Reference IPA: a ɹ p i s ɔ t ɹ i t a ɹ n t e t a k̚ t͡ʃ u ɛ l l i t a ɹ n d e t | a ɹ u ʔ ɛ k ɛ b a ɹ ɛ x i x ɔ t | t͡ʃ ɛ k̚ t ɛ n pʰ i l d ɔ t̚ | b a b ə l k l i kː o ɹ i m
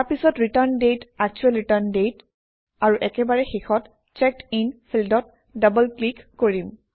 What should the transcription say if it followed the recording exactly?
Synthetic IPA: a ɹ p i s ɔ t ɹ i t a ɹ n d e t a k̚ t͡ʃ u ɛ l ɹ i t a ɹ n d e t | a ɹ u ʔ ɛ k ɛ b a ɹ ɛ x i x ɔ t | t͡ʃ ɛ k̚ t i n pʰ i l d ɔ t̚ | d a b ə l k l i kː o ɹ i m